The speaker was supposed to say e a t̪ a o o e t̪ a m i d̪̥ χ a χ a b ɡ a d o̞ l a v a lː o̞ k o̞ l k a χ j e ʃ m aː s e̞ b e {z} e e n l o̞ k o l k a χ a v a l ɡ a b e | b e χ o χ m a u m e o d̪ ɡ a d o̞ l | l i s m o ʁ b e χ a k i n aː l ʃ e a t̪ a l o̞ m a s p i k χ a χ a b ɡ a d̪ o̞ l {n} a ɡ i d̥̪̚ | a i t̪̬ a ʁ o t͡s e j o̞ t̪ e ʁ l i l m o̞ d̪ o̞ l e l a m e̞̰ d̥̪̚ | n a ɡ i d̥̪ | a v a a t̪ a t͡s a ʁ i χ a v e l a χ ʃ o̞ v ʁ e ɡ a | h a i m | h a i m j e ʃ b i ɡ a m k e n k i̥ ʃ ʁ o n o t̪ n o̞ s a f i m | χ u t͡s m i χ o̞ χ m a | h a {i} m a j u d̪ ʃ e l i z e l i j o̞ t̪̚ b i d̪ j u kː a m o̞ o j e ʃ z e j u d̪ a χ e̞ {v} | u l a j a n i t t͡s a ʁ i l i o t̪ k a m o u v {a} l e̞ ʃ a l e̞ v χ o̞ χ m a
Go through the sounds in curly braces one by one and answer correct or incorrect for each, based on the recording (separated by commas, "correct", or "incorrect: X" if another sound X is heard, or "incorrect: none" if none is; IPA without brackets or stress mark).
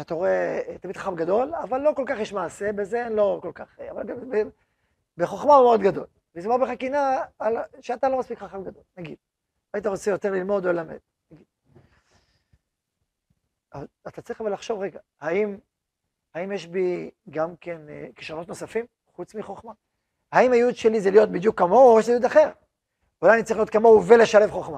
correct, correct, correct, incorrect: ʁ, incorrect: e